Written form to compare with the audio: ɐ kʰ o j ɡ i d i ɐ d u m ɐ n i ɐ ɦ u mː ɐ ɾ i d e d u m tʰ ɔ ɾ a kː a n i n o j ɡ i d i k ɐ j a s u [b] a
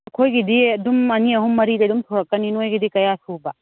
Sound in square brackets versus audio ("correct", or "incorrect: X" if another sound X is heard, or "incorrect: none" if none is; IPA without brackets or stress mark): correct